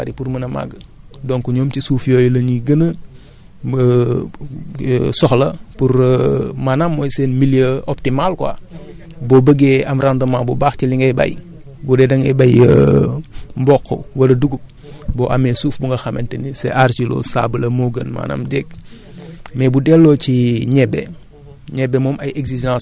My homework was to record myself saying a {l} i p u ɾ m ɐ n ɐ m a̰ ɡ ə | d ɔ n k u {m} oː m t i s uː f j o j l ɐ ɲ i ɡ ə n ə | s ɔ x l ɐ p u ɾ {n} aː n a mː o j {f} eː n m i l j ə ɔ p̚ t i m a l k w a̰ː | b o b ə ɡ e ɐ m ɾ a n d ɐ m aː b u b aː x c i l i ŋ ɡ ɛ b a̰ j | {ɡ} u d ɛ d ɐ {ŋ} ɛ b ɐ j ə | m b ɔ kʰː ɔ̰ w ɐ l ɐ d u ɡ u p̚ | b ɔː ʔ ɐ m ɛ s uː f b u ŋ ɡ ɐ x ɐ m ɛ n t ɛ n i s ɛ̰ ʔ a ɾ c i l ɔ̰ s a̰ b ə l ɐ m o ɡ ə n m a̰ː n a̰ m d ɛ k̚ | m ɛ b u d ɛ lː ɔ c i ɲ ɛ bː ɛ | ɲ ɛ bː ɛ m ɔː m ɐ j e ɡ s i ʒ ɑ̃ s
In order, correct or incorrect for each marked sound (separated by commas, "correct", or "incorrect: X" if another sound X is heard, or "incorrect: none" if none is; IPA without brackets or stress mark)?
incorrect: ɾ, incorrect: ɲ, incorrect: m, incorrect: s, incorrect: b, correct